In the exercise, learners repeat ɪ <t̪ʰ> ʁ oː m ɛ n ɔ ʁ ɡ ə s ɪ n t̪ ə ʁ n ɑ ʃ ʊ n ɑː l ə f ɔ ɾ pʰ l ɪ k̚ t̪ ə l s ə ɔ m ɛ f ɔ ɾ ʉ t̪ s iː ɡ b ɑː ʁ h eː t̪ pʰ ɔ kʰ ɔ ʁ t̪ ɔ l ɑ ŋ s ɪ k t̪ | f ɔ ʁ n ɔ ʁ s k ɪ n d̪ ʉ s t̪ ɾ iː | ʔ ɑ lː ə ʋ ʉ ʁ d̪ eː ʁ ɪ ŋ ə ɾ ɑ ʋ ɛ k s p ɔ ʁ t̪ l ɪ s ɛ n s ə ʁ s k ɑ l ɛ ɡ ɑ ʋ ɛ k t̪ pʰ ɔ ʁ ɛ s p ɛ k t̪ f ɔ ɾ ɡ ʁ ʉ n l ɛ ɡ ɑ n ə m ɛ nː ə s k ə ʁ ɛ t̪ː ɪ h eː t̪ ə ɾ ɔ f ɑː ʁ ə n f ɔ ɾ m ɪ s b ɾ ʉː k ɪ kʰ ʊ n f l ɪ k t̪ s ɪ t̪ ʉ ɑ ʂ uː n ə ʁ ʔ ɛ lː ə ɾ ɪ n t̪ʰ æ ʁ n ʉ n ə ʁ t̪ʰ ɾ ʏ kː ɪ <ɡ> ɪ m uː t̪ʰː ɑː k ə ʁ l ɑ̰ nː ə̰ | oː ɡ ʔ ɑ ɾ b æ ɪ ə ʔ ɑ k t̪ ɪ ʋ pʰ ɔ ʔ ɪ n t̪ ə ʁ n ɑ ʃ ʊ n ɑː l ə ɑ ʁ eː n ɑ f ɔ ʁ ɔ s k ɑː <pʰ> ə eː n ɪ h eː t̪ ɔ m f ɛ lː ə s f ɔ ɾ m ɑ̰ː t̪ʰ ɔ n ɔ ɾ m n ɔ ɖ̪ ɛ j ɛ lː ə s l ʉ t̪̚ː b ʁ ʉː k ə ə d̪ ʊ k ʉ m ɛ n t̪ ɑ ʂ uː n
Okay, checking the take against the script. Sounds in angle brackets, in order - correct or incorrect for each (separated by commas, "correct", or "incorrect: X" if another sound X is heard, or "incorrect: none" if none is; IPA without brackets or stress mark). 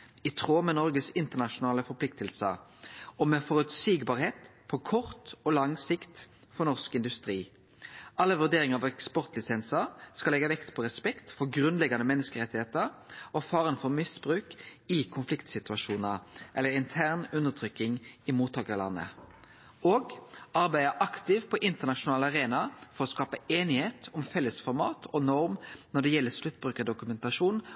correct, incorrect: ŋ, incorrect: p